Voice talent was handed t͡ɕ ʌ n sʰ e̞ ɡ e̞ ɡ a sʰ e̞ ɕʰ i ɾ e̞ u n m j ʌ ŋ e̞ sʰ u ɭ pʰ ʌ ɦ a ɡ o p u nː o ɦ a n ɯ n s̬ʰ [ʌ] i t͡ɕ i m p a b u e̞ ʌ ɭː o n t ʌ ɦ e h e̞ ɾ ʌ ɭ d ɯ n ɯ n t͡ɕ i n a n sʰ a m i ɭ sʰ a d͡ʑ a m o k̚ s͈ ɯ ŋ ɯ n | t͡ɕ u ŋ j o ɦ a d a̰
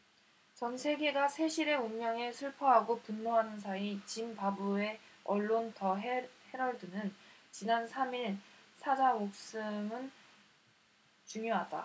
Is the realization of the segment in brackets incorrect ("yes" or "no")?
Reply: yes